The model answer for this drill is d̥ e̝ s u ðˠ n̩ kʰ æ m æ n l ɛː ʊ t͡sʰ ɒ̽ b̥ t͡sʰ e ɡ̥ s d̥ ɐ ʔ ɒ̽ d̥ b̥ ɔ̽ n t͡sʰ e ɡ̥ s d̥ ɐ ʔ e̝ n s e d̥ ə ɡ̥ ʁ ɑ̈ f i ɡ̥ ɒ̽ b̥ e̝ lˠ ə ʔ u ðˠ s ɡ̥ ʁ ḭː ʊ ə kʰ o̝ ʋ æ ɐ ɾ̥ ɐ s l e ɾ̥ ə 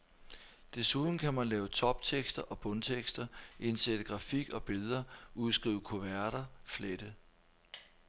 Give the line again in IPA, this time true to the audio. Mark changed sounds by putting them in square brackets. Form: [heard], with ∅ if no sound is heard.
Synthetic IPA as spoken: d̥ e̝ s u ðˠ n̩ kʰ æ m æ n l ɛː ʊ t͡sʰ ɒ̽ b̥ t͡sʰ e ɡ̥ s d̥ ɐ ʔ ɒ̽ [∅] b̥ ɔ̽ n t͡sʰ e ɡ̥ s d̥ ɐ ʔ e̝ n s e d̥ ə ɡ̥ ʁ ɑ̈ f i ɡ̥ ɒ̽ b̥ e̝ lˠ [ɐ] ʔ u ðˠ s ɡ̥ ʁ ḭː ʊ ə kʰ o̝ ʋ æ ɐ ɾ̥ ɐ [f] l e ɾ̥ ə